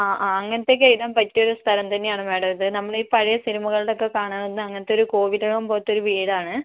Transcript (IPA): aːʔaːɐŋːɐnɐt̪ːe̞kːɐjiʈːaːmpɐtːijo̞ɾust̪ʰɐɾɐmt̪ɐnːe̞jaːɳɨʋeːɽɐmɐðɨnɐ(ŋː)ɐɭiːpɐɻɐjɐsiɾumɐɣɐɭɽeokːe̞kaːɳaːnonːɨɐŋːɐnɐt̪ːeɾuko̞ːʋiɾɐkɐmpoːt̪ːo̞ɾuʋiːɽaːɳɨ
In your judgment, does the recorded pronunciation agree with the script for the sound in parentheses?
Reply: no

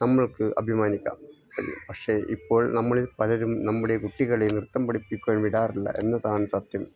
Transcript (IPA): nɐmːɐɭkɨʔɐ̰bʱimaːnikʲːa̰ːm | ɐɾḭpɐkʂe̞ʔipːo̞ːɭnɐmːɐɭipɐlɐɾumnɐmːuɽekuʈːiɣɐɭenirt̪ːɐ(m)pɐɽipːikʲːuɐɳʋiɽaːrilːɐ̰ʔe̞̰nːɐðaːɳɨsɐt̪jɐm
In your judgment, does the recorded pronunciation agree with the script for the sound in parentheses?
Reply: yes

